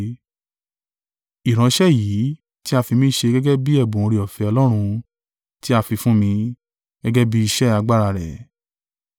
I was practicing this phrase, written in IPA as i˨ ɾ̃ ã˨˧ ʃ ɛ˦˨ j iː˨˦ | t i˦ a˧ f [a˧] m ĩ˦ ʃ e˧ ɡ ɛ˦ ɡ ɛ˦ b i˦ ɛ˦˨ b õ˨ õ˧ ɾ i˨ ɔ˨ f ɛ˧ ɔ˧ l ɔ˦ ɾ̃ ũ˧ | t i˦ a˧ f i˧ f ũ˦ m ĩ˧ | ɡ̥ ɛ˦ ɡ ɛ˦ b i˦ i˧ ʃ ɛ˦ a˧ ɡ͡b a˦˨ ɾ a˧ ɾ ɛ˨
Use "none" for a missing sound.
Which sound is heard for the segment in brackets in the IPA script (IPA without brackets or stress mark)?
i˧